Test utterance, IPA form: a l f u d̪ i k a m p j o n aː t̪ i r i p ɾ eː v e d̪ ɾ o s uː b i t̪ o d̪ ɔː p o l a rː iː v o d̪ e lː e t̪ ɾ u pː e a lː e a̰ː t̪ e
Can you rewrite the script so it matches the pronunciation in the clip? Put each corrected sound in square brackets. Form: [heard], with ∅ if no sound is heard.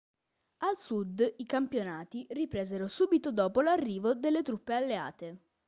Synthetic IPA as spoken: a l [s] u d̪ i k a m p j o n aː t̪ i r i p ɾ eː [z] e [∅] ɾ o s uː b i t̪ o d̪ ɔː p o l a rː iː v o d̪ e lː e t̪ ɾ u pː e a lː e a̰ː t̪ e